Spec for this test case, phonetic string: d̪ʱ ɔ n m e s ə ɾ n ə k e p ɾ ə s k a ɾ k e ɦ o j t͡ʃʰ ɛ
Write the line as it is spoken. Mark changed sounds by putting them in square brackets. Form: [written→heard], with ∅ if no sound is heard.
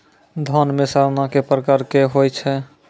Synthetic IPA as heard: d̪ʱ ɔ n m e s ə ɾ n [ə→a] k e p ɾ ə [s→∅] k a ɾ k e ɦ o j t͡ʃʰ ɛ